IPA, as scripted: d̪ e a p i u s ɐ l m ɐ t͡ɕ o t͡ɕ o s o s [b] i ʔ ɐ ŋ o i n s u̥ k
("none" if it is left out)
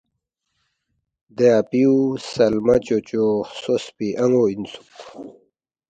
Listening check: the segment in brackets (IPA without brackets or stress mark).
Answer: p